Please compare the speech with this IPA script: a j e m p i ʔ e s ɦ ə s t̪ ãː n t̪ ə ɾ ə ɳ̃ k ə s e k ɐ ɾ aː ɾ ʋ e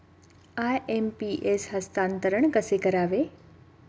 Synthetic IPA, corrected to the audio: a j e m p i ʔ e s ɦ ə s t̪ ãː n t̪ ə ɾ ə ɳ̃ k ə s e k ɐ ɾ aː ʋ e